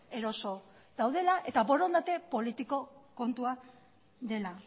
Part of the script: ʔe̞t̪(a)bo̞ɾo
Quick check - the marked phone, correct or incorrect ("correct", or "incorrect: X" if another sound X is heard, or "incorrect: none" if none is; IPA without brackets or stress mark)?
correct